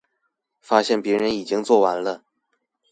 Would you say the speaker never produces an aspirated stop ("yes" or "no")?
yes